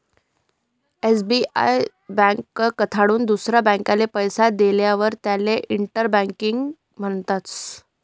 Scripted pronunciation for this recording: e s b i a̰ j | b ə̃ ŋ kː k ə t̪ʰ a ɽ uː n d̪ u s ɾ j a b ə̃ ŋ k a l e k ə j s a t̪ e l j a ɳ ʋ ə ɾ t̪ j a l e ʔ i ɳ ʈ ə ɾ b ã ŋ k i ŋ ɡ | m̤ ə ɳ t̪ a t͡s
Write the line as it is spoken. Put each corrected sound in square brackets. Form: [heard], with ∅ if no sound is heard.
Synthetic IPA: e s b i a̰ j | b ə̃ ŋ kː k ə t̪ʰ a ɽ uː n d̪ u s ɾ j a b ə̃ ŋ k a l e [p] ə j s a [d̪] e l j a [∅] ʋ ə ɾ t̪ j a l e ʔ i ɳ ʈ ə ɾ b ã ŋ k i ŋ ɡ | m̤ ə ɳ t̪ a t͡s